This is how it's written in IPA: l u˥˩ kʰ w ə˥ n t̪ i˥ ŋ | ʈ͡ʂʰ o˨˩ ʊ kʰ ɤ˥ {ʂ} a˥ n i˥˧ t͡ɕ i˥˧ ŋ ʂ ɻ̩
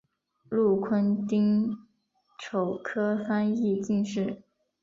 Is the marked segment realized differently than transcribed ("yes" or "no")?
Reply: yes